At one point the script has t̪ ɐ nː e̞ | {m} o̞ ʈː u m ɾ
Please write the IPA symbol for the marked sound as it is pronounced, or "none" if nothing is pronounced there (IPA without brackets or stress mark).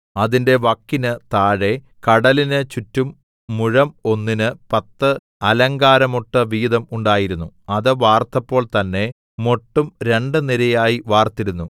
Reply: m